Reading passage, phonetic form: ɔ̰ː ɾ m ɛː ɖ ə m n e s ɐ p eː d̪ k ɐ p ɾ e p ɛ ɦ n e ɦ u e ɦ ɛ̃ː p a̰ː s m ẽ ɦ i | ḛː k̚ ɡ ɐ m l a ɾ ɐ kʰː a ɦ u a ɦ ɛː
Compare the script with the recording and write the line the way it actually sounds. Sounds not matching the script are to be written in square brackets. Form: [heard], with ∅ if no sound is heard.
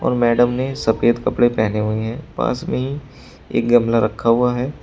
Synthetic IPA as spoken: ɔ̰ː ɾ m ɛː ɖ ə m n e s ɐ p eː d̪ k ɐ p [ɽ] e p ɛ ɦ n e ɦ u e ɦ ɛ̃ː p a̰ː s m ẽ ɦ i | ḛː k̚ ɡ ɐ m l a ɾ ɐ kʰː a ɦ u a ɦ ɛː